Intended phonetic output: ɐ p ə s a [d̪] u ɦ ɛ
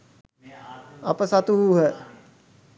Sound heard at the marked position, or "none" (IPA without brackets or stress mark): t̪